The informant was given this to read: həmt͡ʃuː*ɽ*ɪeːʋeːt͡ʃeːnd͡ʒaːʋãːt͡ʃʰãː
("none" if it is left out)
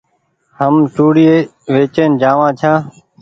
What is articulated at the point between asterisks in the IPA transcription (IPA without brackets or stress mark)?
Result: ɽ